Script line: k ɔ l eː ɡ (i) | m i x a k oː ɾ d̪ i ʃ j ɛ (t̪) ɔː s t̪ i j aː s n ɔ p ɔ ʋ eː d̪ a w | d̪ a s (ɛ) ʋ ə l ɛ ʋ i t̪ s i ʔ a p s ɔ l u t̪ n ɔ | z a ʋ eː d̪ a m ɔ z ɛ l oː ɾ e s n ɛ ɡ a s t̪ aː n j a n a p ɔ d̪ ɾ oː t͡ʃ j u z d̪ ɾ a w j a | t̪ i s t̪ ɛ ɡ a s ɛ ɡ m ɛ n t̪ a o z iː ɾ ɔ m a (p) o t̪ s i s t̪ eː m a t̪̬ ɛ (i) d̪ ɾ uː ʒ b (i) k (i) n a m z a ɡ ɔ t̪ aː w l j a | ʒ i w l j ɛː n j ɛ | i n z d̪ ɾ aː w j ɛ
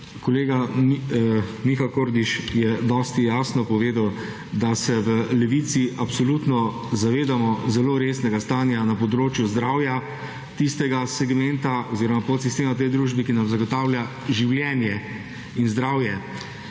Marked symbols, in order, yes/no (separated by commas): no, no, yes, yes, no, yes, yes